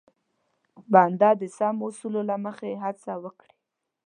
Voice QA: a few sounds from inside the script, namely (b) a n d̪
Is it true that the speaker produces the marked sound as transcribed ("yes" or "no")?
yes